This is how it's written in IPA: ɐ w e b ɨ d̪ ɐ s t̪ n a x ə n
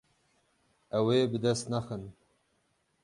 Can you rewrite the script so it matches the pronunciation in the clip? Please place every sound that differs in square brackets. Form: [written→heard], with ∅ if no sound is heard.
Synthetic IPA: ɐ w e b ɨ d̪ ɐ s t̪ n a x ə n